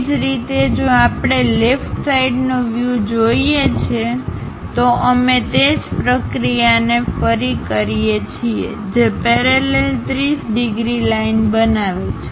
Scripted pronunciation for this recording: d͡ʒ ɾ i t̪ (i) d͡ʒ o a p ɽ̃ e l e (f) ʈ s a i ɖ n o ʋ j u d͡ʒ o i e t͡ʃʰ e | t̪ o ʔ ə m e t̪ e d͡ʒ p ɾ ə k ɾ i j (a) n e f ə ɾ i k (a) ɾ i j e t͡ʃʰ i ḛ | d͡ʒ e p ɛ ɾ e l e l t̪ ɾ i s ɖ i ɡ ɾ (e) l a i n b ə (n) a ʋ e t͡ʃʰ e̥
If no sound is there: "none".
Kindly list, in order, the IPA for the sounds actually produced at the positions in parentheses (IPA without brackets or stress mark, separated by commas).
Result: e, f, a, ə, i, n